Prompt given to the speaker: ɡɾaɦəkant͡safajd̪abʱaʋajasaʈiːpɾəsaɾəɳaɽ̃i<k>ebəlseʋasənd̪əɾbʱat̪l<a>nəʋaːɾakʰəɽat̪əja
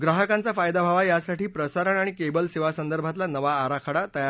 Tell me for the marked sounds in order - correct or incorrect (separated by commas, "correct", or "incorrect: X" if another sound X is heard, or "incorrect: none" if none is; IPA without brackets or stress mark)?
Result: correct, correct